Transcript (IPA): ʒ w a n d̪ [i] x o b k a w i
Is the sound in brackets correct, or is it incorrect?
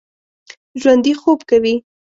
correct